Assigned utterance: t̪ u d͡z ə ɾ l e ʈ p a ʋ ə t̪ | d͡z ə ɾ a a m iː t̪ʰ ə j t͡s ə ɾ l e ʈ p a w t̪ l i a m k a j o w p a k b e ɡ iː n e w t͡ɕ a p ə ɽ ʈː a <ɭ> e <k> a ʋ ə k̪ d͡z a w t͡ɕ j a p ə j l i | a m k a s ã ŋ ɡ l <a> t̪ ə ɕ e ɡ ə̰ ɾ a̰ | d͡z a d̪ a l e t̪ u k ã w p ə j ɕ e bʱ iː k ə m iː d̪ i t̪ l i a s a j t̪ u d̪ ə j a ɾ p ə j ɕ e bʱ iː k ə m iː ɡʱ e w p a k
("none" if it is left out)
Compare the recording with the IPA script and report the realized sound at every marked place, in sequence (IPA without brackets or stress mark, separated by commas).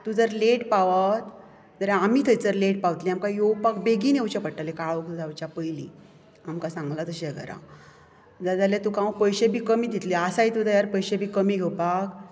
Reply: l, k, a